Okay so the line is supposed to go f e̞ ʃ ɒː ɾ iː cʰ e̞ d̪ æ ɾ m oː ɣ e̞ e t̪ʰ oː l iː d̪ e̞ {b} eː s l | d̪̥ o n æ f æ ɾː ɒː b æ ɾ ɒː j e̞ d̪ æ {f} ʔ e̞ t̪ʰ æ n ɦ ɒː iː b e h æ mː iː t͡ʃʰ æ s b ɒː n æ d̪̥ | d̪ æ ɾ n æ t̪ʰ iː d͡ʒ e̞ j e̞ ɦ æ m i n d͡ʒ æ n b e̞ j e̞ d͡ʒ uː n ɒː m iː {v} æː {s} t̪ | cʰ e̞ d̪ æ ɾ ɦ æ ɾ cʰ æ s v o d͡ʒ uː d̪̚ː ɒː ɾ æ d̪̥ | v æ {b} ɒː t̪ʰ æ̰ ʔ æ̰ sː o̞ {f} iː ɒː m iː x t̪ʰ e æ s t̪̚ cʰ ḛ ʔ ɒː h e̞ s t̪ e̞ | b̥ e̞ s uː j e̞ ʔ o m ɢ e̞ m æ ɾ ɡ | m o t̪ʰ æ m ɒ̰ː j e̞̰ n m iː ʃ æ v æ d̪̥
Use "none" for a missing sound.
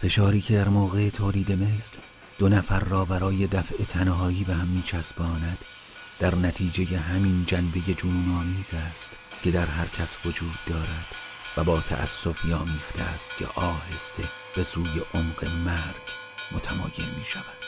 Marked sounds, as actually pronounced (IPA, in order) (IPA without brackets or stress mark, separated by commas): m, f, z, s, b, f